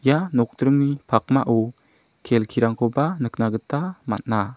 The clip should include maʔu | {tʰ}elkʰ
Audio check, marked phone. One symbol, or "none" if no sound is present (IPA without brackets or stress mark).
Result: kʰ